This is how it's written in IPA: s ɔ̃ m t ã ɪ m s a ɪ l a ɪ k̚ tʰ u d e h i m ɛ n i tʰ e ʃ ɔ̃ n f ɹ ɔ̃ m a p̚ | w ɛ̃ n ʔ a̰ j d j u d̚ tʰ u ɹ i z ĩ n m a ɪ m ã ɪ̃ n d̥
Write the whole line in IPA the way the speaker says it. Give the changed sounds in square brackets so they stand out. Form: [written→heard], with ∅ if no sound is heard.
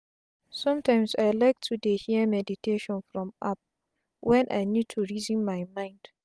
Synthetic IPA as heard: s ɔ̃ m t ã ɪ m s a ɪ l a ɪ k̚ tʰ u d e h i m ɛ [n→d] i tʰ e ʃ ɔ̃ n f ɹ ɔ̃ m a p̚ | w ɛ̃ n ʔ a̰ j [d→n] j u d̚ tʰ u ɹ i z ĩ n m a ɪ m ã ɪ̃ n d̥